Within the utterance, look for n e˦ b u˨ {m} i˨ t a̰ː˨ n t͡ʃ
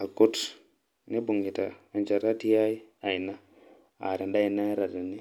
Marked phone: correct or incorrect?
incorrect: ŋ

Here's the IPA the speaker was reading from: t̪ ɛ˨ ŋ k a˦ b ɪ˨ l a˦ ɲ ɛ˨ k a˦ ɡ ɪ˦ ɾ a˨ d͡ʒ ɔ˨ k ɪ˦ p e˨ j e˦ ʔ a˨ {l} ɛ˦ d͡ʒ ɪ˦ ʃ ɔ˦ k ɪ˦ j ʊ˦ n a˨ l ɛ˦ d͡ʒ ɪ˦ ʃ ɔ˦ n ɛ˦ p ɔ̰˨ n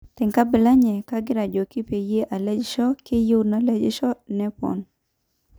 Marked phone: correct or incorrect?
correct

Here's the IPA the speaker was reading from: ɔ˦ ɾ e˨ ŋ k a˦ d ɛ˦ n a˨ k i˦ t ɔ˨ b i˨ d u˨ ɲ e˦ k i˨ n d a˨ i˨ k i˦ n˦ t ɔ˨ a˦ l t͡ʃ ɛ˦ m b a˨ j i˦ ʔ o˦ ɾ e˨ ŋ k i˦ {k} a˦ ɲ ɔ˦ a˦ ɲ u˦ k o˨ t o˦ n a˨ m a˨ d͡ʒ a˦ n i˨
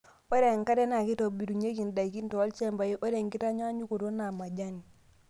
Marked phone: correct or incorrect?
incorrect: t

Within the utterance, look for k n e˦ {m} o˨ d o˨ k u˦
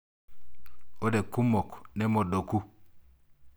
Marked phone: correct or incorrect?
correct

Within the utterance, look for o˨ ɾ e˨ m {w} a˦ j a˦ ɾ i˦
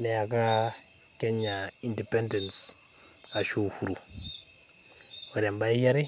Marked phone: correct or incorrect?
incorrect: b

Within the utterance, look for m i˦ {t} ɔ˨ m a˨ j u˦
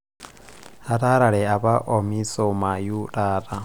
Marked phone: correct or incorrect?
incorrect: s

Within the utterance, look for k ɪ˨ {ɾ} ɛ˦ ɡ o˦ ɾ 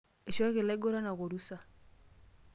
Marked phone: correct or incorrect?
incorrect: l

